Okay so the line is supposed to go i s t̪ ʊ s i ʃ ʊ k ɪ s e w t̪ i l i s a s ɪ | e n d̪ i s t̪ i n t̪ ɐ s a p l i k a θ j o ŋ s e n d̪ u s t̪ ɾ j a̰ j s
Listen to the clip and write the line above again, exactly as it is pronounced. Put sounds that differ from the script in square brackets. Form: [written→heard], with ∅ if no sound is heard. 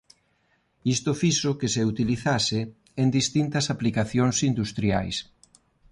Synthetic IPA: i s t̪ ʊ [s→f] i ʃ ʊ k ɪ s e [w→u] t̪ i l i [s→θ] a s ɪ | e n d̪ i s t̪ i n t̪ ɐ s a p l i k a θ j o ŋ s [e→i] n d̪ u s t̪ ɾ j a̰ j s

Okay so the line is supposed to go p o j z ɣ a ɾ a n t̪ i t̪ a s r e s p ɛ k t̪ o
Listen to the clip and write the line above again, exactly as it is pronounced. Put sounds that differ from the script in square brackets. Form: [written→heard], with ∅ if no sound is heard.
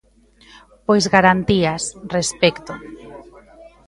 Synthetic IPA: p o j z ɣ a ɾ a n t̪ i [t̪→∅] a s r e s p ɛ k t̪ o

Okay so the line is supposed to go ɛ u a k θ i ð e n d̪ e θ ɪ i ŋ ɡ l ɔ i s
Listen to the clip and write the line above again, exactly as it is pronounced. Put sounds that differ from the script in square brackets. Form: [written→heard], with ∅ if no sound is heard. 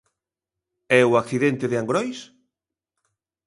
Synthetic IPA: ɛ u a k θ i ð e n [d̪→t̪] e [θ→ð] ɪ [i→a] ŋ ɡ [l→ɾ] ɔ [i→j] s

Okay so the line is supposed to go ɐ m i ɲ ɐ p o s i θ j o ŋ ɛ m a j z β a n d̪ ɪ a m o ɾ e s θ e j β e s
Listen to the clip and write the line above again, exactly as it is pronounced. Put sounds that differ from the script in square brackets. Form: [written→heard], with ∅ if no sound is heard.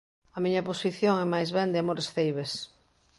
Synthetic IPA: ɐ m i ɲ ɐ p o s i θ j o ŋ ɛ m a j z β [a→ɛ] n d̪ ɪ a m o ɾ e s θ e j β e s

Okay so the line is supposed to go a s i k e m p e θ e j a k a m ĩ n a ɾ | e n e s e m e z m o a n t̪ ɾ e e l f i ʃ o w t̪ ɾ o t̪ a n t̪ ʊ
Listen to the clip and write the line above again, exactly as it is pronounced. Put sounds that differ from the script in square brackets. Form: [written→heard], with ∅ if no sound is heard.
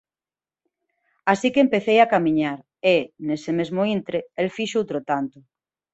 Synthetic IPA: a s i k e m p e θ e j a k a m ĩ [n→ɲ] a ɾ | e n e s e m e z m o [a→i] n t̪ ɾ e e l f i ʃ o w t̪ ɾ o t̪ a n t̪ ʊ

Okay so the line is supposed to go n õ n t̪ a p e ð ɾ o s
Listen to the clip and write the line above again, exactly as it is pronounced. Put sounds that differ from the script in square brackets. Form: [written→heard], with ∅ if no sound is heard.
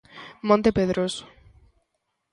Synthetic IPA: [n→m] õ n t̪ [a→e] p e ð ɾ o s

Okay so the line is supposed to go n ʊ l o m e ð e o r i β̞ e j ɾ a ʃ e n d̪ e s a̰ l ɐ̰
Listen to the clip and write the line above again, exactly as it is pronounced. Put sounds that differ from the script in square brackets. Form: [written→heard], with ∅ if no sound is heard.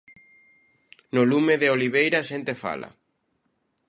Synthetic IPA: n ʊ l [o→u] m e ð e o [r→l] i β̞ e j ɾ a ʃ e n [d̪→t̪] e [s→f] a̰ l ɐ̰

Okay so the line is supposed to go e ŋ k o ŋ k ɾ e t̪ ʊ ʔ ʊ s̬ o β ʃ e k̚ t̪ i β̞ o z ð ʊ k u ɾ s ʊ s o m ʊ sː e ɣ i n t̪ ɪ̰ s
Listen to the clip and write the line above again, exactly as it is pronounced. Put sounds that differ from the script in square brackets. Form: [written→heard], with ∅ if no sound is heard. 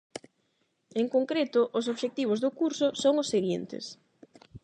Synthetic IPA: e ŋ k o ŋ k ɾ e t̪ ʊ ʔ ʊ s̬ o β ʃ e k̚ t̪ i β̞ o z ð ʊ k u ɾ s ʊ s o [m→ŋ] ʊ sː e ɣ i n t̪ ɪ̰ s

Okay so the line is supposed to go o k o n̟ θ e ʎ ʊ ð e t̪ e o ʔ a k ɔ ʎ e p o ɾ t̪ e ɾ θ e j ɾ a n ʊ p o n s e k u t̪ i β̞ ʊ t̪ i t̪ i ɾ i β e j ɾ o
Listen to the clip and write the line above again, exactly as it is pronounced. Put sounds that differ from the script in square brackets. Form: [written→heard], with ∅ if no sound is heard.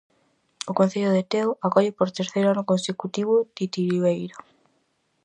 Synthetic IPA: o k o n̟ θ e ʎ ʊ ð e t̪ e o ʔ a k ɔ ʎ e p o ɾ t̪ e ɾ θ e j ɾ a n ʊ [p→k] o n s e k u t̪ i β̞ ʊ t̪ i t̪ i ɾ i β e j ɾ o

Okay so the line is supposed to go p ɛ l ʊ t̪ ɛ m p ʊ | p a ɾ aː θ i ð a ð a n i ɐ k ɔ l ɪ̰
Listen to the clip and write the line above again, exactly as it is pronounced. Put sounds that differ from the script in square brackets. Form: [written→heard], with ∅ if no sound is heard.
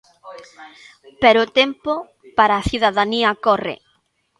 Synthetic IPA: p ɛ [l→ɾ] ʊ t̪ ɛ m p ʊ | p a ɾ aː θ i ð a ð a n i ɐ k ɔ [l→r] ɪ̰

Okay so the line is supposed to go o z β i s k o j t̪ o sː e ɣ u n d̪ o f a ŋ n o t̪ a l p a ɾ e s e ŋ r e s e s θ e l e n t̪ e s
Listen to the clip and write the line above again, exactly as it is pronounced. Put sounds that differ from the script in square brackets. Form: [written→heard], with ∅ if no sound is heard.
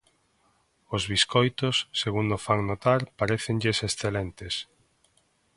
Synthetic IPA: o z β i s k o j t̪ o sː e ɣ u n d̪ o f a ŋ n o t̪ a [l→ɾ] p a ɾ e [s→θ] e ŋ [r→ʎ] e s e s θ e l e n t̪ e s

